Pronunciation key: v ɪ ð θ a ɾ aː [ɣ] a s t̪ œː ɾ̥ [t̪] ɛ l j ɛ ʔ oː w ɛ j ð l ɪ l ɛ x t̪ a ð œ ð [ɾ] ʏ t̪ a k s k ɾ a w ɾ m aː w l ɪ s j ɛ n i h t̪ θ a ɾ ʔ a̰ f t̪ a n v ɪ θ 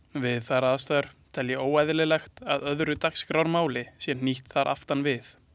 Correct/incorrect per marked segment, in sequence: incorrect, incorrect, correct

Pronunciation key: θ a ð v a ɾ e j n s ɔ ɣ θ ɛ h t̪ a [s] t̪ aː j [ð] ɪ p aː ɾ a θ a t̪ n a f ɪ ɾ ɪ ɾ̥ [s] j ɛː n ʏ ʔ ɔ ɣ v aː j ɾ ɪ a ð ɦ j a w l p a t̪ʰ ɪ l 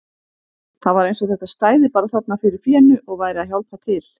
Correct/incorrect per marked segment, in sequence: correct, correct, incorrect

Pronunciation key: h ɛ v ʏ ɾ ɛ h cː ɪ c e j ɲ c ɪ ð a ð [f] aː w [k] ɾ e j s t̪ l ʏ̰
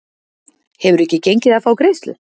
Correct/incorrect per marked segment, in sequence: correct, correct

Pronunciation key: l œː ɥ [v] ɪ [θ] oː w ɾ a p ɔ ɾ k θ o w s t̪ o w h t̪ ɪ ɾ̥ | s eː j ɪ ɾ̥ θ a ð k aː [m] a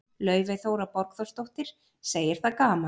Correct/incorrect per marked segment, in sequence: correct, correct, correct

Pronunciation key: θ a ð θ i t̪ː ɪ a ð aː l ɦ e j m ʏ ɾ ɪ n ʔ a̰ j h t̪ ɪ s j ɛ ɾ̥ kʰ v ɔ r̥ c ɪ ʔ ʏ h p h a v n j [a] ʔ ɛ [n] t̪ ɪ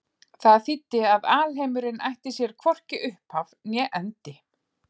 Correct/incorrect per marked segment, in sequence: incorrect, correct

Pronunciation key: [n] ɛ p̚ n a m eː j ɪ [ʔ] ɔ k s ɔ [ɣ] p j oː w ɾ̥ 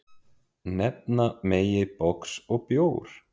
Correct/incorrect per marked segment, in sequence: correct, incorrect, correct

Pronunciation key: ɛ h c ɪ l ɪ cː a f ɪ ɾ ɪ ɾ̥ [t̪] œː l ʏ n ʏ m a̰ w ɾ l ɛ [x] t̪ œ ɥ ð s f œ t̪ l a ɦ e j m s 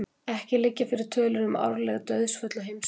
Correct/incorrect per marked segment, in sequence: incorrect, incorrect

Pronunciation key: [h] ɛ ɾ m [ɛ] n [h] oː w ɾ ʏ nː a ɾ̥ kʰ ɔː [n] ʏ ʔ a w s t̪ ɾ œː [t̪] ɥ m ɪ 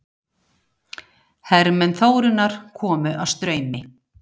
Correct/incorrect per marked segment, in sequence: correct, correct, incorrect, incorrect, incorrect

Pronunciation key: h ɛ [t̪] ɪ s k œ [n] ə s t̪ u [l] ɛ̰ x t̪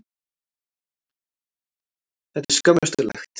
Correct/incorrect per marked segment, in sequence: correct, incorrect, correct

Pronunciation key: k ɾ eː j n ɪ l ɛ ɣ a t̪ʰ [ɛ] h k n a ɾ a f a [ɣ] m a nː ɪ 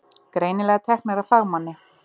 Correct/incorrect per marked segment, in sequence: correct, correct

